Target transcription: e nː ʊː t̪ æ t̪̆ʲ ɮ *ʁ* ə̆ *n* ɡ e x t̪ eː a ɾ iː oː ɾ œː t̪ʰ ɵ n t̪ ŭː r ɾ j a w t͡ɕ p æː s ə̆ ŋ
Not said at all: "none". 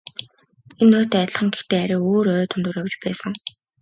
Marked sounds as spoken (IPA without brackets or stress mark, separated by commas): χ, ŋ